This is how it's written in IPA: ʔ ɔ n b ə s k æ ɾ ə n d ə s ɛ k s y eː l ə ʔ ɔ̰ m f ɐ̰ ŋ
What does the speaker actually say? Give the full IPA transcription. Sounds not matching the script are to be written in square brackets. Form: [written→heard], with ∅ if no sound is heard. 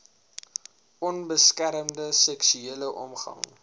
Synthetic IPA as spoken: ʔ ɔ n b ə s k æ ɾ ə [n→m] d ə s ɛ k s y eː l ə ʔ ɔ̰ m [f→χ] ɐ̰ ŋ